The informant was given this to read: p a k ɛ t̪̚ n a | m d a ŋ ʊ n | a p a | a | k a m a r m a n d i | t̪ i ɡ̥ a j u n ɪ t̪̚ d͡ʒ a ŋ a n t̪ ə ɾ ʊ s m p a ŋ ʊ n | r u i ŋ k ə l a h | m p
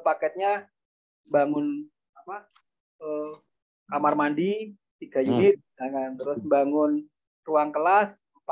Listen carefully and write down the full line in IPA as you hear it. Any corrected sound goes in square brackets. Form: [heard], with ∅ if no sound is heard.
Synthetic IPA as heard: p a k ɛ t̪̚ [ɲ] a | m [b] a ŋ ʊ n | a p a | [ə] | k a m a r m a n d i | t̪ i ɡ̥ a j u n ɪ t̪̚ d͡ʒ a ŋ a n t̪ ə ɾ ʊ s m [b] a ŋ ʊ n | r u [a] ŋ k ə l a [s] | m p